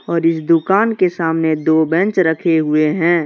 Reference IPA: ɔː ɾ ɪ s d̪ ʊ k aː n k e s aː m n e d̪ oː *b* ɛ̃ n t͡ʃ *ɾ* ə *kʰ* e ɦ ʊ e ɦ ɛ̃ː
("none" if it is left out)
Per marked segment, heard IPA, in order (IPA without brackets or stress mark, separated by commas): b, ɾ, kʰ